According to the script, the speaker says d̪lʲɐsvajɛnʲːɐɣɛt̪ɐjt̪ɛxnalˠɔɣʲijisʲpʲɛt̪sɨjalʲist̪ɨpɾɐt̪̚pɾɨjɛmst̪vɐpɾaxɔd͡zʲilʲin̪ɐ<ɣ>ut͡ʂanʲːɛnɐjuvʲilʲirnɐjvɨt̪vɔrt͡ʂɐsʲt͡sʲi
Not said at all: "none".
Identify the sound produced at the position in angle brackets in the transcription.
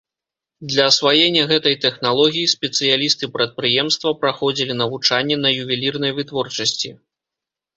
v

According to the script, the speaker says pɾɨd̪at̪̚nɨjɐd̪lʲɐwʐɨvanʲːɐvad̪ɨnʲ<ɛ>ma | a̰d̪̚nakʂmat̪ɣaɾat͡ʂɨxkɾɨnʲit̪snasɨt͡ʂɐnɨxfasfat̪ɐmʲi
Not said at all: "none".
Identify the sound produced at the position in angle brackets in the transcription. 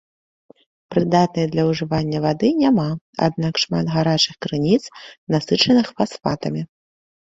a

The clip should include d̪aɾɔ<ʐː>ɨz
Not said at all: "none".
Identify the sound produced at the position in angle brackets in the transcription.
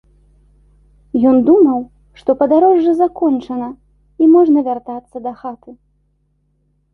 ʐː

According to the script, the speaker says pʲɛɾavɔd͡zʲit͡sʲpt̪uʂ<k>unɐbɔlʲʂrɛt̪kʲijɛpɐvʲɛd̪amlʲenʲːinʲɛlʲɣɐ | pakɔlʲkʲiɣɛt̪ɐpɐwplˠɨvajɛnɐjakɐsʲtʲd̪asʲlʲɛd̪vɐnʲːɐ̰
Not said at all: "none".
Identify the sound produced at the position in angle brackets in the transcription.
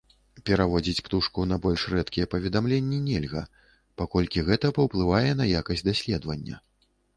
k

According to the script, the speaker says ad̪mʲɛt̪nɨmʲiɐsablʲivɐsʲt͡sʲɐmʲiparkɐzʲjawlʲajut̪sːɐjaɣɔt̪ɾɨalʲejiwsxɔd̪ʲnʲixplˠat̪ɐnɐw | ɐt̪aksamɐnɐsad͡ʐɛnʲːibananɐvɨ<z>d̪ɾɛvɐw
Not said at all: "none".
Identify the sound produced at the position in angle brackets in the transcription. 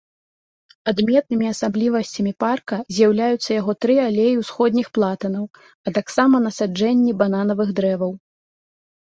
ɣ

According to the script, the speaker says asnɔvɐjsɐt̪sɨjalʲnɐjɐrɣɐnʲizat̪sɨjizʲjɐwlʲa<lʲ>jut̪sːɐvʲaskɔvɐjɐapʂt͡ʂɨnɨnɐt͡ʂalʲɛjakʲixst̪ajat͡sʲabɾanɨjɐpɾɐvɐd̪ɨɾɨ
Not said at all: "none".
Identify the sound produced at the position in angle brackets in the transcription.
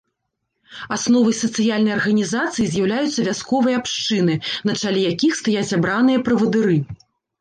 none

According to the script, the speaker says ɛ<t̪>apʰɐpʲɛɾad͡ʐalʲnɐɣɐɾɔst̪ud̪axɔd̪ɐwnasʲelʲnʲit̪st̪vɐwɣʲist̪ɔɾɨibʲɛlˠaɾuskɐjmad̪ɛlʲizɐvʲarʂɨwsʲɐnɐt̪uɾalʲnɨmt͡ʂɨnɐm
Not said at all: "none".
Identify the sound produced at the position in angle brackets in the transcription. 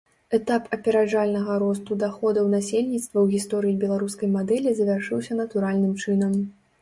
t̪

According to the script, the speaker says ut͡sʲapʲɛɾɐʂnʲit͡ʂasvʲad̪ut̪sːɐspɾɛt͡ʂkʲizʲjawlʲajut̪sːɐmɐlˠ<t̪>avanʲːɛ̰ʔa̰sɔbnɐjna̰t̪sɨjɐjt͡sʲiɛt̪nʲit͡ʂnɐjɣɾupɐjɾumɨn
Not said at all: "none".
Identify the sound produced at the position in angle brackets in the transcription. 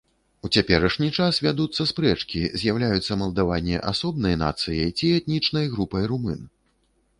d̪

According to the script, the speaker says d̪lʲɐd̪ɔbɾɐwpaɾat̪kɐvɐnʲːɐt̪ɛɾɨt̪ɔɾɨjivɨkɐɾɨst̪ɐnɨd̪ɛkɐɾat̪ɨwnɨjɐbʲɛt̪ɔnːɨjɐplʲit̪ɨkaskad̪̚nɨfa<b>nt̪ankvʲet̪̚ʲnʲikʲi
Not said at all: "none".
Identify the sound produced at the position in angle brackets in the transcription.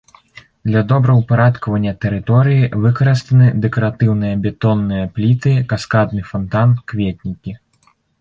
none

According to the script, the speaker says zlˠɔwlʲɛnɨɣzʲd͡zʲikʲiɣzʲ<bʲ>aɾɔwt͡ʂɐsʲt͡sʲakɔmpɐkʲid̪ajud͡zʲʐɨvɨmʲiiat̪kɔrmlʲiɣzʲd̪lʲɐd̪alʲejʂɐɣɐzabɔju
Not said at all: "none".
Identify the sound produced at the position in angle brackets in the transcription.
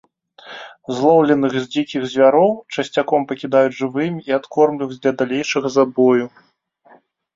vʲ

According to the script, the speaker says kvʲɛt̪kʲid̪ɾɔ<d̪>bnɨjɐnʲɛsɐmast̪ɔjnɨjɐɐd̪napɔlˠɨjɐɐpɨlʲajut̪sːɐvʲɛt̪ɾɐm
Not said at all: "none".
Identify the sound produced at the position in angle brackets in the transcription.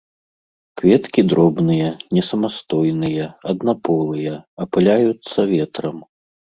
none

